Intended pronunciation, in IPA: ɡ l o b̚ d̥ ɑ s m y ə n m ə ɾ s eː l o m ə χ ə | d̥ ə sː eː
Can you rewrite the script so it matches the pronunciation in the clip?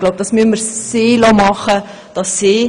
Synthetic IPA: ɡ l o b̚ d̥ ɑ s m y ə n m ə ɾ s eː l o m ɑ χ ə | d̥ ɑ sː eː